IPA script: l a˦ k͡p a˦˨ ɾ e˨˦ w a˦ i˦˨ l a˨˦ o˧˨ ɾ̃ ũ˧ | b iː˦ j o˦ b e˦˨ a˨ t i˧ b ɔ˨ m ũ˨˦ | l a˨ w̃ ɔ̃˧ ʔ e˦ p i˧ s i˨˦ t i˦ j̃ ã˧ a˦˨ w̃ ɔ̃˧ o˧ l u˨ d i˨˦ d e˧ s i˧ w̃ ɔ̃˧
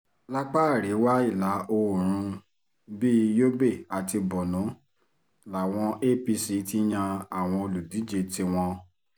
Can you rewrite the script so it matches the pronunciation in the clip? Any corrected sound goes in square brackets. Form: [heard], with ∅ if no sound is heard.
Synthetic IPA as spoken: l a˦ k͡p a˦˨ ɾ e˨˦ w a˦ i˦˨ l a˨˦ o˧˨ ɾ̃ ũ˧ | b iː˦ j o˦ b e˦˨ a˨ t i˧ b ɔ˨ [n] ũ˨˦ | l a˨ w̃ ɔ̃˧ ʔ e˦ p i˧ s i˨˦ t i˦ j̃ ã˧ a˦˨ w̃ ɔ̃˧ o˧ l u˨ d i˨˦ [d͡ʒ] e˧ [t] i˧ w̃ ɔ̃˧